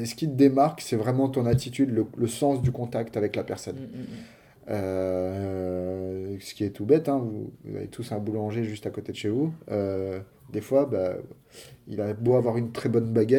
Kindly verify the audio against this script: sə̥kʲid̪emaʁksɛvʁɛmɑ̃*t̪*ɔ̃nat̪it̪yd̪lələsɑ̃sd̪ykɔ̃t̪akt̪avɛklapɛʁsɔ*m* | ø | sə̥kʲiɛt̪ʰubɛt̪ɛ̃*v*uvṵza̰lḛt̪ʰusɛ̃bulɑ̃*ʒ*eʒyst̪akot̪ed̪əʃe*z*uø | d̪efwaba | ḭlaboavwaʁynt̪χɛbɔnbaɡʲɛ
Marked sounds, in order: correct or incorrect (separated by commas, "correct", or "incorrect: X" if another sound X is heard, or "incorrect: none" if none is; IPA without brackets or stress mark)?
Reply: correct, incorrect: n, correct, correct, incorrect: v